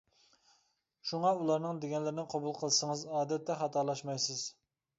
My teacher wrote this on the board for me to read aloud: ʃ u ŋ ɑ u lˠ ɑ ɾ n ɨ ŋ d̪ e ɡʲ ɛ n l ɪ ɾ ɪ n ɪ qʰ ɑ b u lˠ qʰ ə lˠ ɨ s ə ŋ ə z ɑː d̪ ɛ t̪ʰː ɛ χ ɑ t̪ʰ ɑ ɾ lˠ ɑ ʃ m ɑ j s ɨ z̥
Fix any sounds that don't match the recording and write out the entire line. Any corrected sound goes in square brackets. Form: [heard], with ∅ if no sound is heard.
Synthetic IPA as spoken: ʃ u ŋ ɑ u lˠ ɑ ɾ n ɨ ŋ d̪ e ɡʲ ɛ n l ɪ ɾ ɪ n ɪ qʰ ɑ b u lˠ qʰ ə lˠ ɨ s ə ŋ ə z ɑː d̪ ɛ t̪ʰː ɛ χ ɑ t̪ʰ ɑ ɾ lˠ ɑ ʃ m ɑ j s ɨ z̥